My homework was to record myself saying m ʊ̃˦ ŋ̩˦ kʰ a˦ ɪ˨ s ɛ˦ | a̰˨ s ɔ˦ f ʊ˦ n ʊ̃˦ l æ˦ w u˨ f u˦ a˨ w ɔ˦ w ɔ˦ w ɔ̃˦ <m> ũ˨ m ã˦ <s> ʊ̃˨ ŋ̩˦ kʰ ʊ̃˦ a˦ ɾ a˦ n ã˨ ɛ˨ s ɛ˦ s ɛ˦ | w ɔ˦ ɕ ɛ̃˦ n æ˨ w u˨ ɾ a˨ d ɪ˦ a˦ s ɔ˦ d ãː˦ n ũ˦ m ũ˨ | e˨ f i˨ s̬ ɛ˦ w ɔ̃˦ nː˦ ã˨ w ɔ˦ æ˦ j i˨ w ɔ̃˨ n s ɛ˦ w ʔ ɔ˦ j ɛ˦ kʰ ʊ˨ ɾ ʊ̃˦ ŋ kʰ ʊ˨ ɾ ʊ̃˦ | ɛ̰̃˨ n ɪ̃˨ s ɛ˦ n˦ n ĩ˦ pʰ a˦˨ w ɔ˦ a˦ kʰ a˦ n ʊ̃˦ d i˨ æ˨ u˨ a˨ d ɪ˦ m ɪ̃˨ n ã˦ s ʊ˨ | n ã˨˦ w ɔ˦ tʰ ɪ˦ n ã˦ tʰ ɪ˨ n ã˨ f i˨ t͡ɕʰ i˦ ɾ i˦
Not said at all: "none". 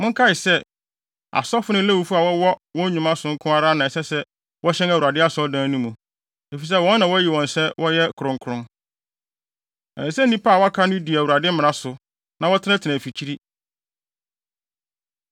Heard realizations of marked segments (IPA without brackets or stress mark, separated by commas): ɲ, s